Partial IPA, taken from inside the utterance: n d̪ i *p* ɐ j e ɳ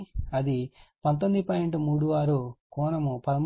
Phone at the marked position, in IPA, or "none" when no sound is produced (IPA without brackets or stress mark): p